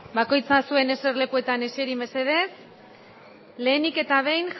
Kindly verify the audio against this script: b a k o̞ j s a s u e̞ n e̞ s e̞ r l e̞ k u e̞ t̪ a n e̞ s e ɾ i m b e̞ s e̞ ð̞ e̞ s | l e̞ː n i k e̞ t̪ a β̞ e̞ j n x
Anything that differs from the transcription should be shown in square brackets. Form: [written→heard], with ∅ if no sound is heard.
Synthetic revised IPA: b a k o̞ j [s→t͡s] a s u e̞ n e̞ s e̞ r l e̞ k u e̞ t̪ a n e̞ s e ɾ i m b e̞ s e̞ ð̞ e̞ s | l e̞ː n i k e̞ t̪ a β̞ e̞ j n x